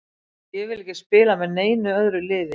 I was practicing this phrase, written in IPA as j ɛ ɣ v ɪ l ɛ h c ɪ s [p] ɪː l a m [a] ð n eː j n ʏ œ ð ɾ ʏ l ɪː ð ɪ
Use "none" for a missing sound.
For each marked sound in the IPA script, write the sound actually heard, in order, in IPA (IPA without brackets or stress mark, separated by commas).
p, ɛ